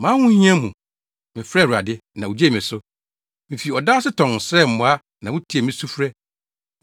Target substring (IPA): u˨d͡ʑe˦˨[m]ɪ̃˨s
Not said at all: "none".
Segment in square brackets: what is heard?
m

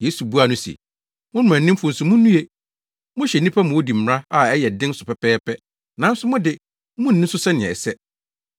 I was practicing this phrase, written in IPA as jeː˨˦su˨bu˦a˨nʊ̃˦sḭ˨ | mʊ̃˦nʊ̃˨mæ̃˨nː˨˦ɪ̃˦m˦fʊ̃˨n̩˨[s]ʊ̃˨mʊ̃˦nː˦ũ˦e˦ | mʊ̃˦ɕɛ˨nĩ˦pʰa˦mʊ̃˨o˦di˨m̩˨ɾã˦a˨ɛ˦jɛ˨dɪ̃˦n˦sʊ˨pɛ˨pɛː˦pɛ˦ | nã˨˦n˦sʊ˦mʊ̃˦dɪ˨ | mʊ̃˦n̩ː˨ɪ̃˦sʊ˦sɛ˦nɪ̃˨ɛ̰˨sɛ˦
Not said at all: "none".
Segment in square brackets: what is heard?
s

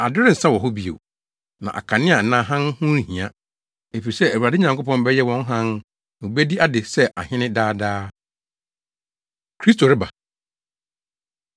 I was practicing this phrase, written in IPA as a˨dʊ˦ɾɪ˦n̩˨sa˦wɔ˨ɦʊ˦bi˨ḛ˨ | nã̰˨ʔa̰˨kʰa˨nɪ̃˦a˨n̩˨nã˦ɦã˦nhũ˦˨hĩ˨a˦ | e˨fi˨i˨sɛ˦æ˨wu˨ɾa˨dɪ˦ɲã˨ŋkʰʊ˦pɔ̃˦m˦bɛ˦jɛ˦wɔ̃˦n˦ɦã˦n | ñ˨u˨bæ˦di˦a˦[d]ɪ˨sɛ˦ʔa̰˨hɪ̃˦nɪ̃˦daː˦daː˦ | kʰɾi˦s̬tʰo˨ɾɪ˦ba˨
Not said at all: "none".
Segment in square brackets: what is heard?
d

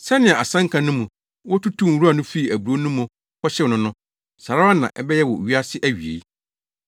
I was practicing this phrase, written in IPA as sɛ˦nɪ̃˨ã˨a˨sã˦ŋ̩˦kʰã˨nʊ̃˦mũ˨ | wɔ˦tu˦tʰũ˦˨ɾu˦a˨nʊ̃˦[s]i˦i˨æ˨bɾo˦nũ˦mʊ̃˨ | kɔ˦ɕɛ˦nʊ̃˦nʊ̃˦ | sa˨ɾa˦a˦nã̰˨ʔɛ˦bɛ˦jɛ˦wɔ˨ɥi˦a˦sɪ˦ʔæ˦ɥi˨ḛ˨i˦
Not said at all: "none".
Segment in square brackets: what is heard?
f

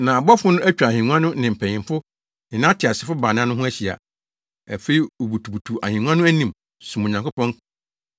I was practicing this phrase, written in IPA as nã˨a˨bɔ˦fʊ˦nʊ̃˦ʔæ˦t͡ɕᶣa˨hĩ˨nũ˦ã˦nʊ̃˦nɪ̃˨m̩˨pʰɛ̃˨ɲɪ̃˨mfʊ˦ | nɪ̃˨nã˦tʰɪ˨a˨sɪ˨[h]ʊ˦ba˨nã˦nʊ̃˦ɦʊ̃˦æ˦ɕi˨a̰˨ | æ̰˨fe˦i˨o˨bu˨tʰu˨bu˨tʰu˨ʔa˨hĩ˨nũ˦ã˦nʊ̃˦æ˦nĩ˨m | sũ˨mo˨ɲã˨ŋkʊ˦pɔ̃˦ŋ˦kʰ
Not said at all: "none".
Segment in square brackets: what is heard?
f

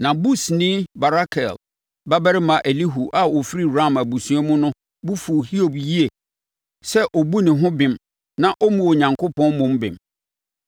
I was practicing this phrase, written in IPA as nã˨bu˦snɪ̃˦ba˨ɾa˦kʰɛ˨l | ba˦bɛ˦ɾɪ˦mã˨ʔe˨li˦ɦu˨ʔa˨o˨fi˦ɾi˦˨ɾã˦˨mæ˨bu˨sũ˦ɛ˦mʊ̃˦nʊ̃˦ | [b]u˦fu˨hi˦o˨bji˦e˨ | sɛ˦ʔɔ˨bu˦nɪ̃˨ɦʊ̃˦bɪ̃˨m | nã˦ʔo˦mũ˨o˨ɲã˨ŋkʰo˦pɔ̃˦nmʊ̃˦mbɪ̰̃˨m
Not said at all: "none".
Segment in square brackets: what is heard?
b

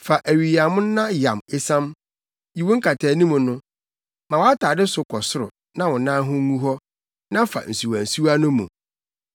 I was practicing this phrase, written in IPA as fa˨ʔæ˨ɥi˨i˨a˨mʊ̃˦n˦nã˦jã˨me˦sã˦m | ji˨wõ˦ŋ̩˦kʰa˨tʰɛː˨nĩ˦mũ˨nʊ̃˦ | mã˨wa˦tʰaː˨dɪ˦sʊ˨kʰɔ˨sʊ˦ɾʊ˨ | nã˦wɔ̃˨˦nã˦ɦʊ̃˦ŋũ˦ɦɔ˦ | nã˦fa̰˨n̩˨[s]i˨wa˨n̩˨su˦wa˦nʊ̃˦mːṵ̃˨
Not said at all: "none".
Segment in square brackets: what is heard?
s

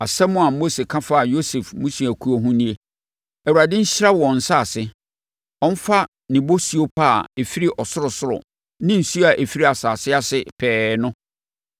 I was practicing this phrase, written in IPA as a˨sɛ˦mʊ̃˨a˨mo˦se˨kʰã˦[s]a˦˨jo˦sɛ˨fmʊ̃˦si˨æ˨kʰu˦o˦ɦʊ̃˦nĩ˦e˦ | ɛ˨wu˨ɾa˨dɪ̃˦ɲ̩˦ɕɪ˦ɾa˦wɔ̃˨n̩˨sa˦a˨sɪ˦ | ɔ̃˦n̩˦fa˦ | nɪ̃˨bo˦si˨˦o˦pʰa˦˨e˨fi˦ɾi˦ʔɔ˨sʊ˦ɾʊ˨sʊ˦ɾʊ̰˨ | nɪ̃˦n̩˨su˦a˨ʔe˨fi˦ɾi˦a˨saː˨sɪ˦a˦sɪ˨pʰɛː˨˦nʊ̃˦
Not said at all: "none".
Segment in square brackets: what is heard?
f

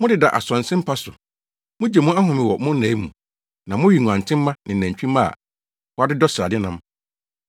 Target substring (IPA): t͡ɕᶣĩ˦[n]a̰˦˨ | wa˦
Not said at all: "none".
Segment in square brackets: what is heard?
m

